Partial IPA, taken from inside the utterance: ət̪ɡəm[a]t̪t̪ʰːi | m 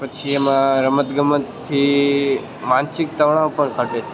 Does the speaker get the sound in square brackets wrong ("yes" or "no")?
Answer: yes